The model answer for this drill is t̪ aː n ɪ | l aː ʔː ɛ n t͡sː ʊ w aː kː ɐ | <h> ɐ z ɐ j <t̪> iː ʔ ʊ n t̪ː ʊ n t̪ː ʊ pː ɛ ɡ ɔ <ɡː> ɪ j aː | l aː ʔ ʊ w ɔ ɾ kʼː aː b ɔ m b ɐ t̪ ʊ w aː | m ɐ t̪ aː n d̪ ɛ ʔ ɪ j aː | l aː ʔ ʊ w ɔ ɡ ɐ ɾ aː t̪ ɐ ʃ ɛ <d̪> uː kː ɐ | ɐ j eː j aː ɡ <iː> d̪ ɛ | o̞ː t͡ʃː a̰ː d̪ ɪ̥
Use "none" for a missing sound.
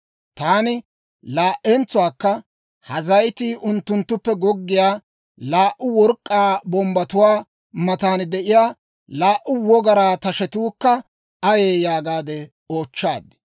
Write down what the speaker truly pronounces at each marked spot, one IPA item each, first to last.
h, t̪, ɡː, t̪, aː

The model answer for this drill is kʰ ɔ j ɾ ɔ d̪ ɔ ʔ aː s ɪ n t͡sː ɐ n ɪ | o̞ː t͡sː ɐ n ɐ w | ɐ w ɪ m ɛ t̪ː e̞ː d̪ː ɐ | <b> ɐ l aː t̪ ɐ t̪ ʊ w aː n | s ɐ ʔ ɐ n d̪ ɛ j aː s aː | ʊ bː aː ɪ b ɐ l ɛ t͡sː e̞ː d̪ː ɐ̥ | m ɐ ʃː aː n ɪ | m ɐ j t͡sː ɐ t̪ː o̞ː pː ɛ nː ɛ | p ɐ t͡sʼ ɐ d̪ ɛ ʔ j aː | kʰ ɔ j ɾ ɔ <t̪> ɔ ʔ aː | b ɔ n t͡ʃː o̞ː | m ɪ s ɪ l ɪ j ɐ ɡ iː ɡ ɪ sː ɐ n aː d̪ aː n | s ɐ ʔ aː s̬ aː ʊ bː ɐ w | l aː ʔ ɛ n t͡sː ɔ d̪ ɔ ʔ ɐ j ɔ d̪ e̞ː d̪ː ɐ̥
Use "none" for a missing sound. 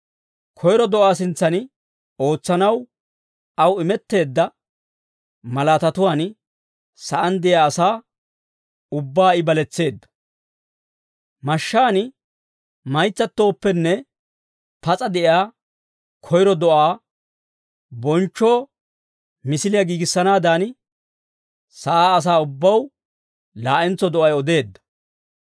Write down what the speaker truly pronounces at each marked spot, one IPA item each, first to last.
m, d̪

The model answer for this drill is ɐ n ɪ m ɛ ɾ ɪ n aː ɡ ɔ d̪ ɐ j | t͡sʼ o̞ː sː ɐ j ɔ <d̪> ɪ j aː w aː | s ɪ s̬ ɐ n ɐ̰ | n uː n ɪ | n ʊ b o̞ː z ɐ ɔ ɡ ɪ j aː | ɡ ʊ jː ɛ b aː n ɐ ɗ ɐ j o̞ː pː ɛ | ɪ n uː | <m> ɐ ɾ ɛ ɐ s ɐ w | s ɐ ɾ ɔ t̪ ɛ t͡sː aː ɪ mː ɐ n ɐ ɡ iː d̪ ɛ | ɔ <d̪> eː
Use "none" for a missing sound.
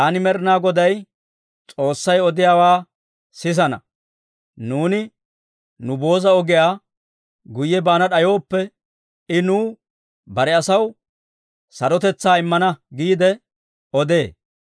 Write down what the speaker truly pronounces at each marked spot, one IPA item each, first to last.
d̪, b, d̪

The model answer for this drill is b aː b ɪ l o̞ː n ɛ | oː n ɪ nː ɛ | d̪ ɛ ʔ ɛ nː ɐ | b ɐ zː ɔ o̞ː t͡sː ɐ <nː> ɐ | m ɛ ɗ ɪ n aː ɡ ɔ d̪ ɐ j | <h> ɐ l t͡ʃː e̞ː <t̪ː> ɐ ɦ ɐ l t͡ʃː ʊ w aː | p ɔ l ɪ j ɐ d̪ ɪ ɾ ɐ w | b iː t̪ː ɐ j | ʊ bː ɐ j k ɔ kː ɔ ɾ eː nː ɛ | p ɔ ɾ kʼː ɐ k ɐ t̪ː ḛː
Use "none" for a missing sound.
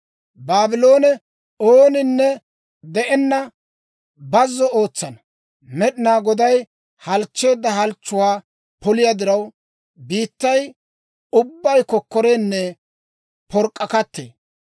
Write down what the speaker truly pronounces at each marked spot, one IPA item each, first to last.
n, h, d̪ː

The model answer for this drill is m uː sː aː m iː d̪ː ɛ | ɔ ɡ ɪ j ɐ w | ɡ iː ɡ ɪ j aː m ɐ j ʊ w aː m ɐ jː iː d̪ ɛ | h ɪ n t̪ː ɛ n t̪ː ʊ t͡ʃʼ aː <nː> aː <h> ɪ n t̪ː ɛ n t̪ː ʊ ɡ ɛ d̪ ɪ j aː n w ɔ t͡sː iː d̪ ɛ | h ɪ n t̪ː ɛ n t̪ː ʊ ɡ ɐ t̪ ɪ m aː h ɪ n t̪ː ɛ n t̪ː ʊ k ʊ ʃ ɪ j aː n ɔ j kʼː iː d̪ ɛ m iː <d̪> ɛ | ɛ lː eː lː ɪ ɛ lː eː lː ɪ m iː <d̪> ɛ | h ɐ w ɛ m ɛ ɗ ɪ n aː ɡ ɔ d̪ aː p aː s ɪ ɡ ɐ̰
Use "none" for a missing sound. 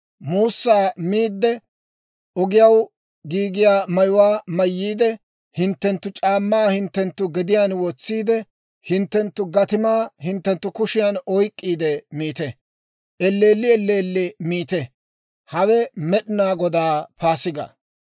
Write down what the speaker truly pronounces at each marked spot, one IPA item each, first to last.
mː, h, t̪, t̪

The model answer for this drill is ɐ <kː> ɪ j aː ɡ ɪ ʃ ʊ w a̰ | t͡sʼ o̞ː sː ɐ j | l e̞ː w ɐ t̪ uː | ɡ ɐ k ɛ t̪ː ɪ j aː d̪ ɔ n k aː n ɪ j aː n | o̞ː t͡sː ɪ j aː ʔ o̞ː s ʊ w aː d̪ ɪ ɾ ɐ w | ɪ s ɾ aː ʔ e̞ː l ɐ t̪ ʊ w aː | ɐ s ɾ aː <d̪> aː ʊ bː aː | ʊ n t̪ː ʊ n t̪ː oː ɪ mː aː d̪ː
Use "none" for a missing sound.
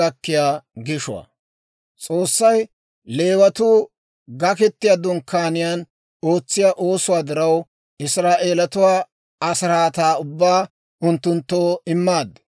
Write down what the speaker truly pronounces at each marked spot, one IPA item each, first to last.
kː, t̪

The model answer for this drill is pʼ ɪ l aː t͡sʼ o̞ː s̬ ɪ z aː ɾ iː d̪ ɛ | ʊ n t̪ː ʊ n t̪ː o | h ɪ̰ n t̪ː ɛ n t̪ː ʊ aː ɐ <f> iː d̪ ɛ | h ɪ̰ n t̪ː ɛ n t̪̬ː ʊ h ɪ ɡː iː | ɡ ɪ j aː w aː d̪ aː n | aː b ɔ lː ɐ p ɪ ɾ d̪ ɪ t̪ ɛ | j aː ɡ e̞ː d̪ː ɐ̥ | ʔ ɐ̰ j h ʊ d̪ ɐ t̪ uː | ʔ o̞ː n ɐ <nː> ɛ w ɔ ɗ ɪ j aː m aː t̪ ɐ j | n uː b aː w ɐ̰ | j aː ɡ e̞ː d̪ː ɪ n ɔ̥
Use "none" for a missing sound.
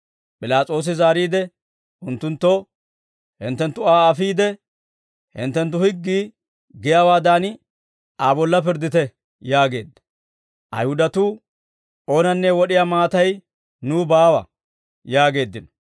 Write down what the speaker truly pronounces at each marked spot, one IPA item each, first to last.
f, nː

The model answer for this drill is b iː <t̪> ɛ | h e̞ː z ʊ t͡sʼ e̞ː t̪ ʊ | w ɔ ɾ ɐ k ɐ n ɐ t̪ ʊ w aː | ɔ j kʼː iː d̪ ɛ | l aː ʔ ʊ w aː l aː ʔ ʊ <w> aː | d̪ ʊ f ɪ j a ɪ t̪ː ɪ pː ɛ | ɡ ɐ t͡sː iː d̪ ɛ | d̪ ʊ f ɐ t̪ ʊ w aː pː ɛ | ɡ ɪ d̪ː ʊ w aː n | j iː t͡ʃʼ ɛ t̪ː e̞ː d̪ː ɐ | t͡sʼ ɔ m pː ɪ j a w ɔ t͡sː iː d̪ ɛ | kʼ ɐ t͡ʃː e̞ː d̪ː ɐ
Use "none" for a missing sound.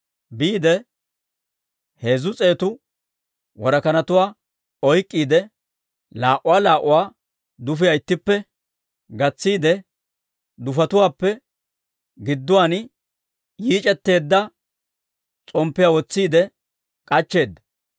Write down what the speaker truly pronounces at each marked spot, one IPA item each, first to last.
d̪, w

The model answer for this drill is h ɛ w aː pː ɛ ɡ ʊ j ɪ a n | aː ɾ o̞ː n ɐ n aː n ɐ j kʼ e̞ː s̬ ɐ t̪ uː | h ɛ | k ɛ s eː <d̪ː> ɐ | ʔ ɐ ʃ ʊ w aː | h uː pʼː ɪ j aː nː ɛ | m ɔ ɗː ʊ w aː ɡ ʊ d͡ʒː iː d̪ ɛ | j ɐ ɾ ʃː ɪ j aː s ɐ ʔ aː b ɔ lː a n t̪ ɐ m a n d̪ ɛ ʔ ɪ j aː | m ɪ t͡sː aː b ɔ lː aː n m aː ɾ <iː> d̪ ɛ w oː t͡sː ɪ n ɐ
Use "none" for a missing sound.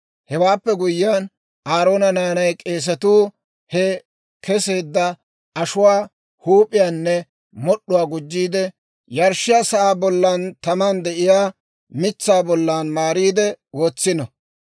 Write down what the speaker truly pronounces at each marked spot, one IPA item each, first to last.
d̪ː, iː

